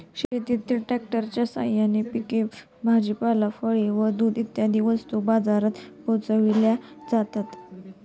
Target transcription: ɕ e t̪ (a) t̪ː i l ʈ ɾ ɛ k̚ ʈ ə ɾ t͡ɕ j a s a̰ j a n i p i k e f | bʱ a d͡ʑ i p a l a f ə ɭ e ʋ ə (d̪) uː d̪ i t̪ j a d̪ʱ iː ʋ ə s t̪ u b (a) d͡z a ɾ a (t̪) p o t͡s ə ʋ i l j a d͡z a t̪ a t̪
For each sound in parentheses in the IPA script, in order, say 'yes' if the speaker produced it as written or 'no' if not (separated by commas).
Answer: no, yes, yes, yes